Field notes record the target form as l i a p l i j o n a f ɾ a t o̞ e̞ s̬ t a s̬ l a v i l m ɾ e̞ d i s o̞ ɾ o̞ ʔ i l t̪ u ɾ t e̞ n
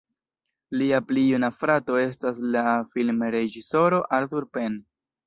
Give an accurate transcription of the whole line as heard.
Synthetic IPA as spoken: l i a p l i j u n a f ɾ a t o̞ e̞ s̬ t a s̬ l a f i l m ɾ e̞ d͡ʒ i s o̞ ɾ o̞ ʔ a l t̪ u ɾ p e̞ n